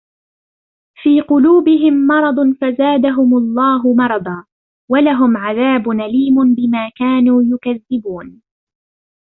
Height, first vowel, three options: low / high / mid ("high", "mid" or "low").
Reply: high